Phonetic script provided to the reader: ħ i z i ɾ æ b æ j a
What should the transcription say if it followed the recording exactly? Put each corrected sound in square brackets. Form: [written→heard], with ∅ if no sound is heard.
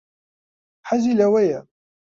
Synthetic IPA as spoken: ħ [i→a] z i [ɾ→l] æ [b→w] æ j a

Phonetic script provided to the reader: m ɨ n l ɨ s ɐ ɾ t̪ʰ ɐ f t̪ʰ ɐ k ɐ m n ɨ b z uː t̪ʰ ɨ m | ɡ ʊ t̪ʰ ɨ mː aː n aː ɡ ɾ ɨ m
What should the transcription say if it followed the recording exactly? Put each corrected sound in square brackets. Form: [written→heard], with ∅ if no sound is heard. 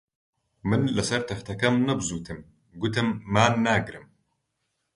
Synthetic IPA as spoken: m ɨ n l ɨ s ɐ ɾ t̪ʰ ɐ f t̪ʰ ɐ k ɐ m n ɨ b z uː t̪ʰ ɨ m | ɡ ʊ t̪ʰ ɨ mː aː [n→nː] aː ɡ ɾ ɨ m

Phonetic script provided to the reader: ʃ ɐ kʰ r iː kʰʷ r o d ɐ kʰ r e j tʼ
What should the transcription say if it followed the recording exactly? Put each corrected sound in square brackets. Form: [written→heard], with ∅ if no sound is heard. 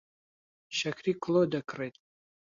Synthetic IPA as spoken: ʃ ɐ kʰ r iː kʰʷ [r→l] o d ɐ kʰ r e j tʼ

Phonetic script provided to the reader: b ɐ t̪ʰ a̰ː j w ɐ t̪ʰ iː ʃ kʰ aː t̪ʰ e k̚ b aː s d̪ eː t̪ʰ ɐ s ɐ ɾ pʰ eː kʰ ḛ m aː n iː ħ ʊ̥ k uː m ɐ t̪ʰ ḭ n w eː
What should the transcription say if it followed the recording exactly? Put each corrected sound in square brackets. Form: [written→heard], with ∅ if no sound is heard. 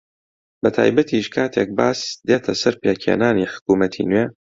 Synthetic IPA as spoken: b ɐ t̪ʰ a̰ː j [w→b] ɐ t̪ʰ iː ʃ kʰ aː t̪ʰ e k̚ b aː s d̪ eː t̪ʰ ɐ s ɐ ɾ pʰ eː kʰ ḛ [m→n] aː n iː ħ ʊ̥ k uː m ɐ t̪ʰ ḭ n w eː

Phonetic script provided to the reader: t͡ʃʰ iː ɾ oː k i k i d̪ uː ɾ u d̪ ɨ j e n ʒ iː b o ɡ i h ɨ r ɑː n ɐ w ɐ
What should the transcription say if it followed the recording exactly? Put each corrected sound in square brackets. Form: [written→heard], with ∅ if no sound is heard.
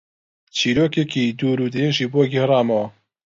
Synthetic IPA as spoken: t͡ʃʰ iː ɾ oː k [i→e] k i d̪ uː ɾ u d̪ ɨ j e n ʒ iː b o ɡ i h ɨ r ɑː [n→m] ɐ w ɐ

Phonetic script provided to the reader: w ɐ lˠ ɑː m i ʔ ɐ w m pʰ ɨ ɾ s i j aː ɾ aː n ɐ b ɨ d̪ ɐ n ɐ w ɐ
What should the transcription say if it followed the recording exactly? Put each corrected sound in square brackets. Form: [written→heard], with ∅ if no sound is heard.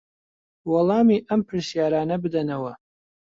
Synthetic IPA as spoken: w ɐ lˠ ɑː m i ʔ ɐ [w→∅] m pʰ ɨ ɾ s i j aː ɾ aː n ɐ b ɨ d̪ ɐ n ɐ w ɐ

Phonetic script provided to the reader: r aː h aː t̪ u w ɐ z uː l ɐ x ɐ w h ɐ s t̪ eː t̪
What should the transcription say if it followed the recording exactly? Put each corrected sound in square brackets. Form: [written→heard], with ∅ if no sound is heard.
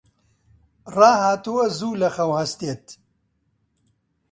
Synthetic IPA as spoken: r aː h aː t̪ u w ɐ z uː l ɐ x ɐ w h ɐ s t̪ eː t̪

